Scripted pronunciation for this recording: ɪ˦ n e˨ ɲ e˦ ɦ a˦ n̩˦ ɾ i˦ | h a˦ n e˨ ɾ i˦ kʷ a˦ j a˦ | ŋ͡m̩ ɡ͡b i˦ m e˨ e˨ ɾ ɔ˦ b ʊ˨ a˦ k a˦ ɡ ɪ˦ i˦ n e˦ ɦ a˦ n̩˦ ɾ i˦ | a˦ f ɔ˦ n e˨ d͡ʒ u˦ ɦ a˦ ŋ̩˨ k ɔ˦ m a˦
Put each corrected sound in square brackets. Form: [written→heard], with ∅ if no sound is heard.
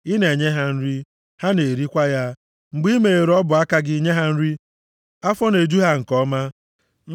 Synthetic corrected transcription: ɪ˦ n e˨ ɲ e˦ ɦ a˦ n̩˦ ɾ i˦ | h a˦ n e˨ ɾ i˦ kʷ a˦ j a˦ | ŋ͡m̩ ɡ͡b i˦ m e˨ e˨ ɾ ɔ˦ b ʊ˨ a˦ k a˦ ɡ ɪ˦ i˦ [n→ɲ] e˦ ɦ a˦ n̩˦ ɾ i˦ | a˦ f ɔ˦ n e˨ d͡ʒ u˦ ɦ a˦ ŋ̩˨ k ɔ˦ m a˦